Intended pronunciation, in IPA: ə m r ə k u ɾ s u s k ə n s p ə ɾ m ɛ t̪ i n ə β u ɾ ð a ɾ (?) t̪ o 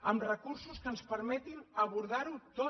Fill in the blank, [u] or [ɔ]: u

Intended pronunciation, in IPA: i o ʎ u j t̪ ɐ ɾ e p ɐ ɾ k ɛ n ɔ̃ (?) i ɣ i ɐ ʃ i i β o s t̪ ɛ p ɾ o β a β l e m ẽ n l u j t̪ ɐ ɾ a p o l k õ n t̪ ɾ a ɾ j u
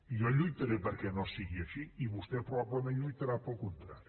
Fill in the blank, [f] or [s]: s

